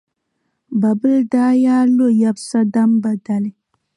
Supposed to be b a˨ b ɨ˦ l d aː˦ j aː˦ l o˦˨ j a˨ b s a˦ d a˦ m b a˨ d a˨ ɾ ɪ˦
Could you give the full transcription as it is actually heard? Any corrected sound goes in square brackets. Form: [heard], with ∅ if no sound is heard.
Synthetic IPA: b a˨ b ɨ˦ l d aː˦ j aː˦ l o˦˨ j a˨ b s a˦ d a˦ m b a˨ d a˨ [l] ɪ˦